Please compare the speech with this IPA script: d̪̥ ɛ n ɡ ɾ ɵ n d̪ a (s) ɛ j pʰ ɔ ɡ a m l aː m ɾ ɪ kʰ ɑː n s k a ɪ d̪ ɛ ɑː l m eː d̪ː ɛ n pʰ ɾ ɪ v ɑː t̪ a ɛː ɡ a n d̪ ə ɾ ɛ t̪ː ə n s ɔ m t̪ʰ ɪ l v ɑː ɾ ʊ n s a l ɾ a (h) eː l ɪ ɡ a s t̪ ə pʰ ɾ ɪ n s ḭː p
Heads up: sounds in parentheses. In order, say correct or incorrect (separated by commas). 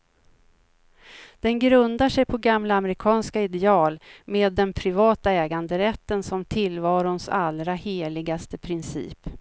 incorrect, correct